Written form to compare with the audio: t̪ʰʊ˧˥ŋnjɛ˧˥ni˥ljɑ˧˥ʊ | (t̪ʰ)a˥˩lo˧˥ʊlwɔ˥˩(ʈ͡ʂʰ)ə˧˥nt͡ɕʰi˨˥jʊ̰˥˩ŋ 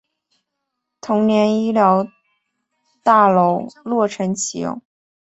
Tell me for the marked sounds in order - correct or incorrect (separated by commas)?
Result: incorrect, correct